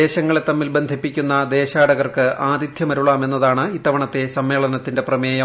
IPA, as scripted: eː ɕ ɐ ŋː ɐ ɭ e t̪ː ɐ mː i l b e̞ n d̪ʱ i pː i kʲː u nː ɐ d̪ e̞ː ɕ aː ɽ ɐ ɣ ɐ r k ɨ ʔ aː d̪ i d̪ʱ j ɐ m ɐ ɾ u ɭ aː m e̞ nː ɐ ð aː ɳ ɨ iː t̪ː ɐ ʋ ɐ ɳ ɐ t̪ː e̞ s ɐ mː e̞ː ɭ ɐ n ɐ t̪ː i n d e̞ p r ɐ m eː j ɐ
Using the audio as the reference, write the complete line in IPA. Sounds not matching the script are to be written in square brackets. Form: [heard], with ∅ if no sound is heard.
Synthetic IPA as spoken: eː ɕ ɐ ŋː ɐ ɭ e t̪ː ɐ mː i l b e̞ n d̪ʱ i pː i kʲː u nː ɐ d̪ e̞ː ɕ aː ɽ ɐ ɣ ɐ r k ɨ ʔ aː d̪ i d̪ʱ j ɐ m ɐ ɾ u ɭ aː m e̞ nː ɐ ð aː ɳ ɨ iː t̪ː ɐ ʋ ɐ ɳ ɐ t̪ː e̞ s ɐ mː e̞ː ɭ ɐ n ɐ t̪ː i n d e̞ p r ɐ m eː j ɐ

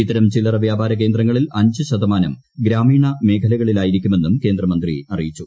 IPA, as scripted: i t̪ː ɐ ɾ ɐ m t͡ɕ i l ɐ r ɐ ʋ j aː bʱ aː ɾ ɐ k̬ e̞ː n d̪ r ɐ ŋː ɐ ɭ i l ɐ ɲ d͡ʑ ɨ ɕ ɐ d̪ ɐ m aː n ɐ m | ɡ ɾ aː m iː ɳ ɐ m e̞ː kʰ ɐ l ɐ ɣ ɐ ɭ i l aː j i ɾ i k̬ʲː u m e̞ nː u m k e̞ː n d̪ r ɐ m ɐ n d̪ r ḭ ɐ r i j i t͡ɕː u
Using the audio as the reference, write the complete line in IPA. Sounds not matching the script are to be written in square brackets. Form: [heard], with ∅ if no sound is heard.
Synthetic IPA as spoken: i t̪ː ɐ ɾ ɐ m t͡ɕ i l ɐ r ɐ ʋ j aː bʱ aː ɾ ɐ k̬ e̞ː n d̪ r ɐ ŋː ɐ ɭ i l ɐ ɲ d͡ʑ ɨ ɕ ɐ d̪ ɐ m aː n ɐ m | ɡ ɾ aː m iː ɳ ɐ m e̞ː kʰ ɐ l ɐ ɣ ɐ ɭ i l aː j i ɾ i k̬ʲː u m e̞ nː u m k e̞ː n d̪ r ɐ m ɐ n d̪ r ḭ ɐ r i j i t͡ɕː u

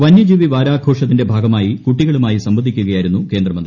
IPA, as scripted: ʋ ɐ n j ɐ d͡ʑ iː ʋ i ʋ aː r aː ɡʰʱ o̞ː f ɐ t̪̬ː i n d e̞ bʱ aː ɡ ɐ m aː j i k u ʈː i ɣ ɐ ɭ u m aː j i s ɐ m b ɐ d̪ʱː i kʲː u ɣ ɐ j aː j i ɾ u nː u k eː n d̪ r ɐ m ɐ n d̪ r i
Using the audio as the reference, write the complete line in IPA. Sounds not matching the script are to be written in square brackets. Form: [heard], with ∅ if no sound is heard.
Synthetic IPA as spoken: ʋ ɐ n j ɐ d͡ʑ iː ʋ i ʋ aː [ɾ] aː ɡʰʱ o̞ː [ʂ] ɐ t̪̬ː i n d e̞ bʱ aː ɡ ɐ m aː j i k u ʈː i ɣ ɐ ɭ u m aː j i s ɐ m b ɐ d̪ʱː i kʲː u ɣ ɐ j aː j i ɾ u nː u k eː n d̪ r ɐ m ɐ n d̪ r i

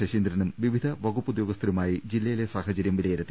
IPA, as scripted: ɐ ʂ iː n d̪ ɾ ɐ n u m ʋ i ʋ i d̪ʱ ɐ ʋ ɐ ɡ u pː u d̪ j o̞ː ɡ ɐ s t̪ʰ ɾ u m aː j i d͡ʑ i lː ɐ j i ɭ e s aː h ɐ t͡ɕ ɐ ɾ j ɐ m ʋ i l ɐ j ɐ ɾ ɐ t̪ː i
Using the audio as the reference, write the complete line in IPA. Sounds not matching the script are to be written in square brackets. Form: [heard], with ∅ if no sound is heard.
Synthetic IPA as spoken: ɐ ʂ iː n d̪ ɾ ɐ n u m ʋ i ʋ i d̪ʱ ɐ ʋ ɐ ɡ u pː u d̪ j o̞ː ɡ ɐ s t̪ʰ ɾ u m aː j i d͡ʑ i lː ɐ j i [l] e s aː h ɐ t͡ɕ ɐ ɾ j ɐ m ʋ i l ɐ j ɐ ɾ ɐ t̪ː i

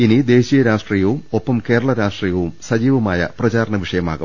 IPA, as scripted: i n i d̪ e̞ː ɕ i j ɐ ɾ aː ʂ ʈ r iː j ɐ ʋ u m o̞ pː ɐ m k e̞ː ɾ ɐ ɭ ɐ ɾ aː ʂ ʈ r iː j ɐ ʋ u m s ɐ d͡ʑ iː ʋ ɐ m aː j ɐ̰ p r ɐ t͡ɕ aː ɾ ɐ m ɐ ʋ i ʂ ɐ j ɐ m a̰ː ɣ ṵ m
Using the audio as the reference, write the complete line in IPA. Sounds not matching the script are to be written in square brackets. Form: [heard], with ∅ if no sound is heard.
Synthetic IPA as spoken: i n i d̪ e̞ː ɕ i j ɐ ɾ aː ʂ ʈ r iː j ɐ ʋ u m o̞ pː ɐ m k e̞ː ɾ ɐ ɭ ɐ ɾ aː ʂ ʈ r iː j ɐ ʋ u m s ɐ d͡ʑ iː ʋ ɐ m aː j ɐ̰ p r ɐ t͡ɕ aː ɾ ɐ [ɳ] ɐ ʋ i ʂ ɐ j ɐ m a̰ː ɣ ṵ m

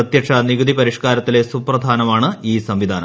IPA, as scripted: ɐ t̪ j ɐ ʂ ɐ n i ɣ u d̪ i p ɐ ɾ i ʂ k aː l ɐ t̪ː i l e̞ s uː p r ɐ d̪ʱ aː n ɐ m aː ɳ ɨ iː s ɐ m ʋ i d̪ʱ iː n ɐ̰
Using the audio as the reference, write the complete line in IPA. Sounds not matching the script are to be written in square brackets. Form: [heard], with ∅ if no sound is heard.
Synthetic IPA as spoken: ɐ t̪ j ɐ ʂ ɐ n i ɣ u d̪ i p ɐ ɾ i ʂ k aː [ɾ] ɐ t̪ː i l e̞ s [u] p r ɐ d̪ʱ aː n ɐ m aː ɳ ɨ iː s ɐ m ʋ i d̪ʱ [aː] n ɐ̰

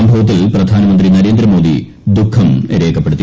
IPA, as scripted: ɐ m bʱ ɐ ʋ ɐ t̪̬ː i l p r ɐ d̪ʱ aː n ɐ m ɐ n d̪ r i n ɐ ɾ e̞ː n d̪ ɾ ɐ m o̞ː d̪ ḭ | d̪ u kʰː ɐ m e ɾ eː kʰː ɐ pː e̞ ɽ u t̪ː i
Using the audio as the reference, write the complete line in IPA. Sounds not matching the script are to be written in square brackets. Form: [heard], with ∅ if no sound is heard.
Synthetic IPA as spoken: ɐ m bʱ ɐ ʋ ɐ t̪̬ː i l p r ɐ d̪ʱ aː n ɐ m ɐ n d̪ r i n ɐ ɾ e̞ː n d̪ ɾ ɐ m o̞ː d̪ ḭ | d̪ u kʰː ɐ m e ɾ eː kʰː ɐ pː e̞ ɽ u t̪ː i

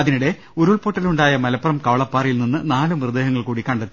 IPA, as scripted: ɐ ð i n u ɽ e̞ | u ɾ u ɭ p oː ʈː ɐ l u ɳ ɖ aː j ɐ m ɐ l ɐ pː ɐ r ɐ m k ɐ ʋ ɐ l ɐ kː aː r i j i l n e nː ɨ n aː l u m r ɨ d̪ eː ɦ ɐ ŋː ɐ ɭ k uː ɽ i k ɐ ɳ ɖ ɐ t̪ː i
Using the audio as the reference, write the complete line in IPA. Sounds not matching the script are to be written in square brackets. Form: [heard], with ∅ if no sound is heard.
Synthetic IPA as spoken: ɐ ð i n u ɽ e̞ | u ɾ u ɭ p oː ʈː ɐ l u ɳ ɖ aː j ɐ m ɐ l ɐ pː ɐ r ɐ m k ɐ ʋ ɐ [ɭ] ɐ [pː] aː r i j i l n [i] nː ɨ n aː l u m r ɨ d̪ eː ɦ ɐ ŋː ɐ ɭ k uː ɽ i k ɐ ɳ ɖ ɐ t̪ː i

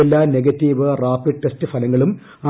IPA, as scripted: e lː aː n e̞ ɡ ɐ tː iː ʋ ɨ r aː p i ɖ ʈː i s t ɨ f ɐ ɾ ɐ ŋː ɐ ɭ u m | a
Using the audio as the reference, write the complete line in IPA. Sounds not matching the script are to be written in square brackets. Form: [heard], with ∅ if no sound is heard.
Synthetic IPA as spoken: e lː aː n e̞ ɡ ɐ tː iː ʋ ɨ r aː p i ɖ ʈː [e] s t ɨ f ɐ [l] ɐ ŋː ɐ ɭ u m | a

